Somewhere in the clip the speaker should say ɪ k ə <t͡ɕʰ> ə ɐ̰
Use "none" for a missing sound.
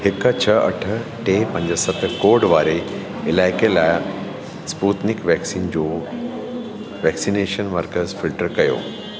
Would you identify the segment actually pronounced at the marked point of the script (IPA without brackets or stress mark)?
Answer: t͡ɕʰ